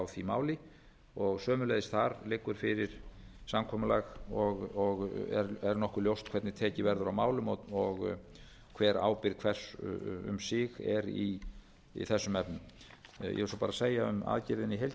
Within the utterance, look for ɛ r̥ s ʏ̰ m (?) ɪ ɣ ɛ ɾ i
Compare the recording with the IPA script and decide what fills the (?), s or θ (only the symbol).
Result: s